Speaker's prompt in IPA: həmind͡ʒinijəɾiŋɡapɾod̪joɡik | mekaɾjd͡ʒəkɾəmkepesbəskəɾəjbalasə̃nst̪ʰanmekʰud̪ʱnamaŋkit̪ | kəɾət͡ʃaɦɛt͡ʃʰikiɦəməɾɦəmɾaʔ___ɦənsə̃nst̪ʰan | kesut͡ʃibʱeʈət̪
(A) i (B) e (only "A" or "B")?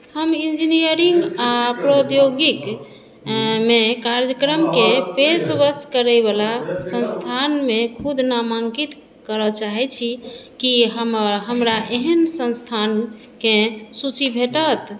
B